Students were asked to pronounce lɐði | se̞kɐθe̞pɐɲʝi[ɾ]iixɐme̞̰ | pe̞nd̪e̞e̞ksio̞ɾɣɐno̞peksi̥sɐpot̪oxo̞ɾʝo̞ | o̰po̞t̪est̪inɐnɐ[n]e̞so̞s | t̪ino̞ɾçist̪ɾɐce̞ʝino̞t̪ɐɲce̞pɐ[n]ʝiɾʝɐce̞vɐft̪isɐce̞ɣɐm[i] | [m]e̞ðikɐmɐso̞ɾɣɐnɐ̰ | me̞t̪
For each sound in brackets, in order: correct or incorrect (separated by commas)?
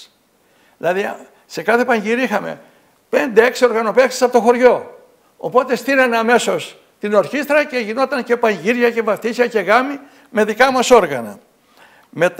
correct, incorrect, incorrect, correct, correct